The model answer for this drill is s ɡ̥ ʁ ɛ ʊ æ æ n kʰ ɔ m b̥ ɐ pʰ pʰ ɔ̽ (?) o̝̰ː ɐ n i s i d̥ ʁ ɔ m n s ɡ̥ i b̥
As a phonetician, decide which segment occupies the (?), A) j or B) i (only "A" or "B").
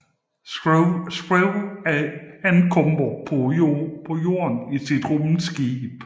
A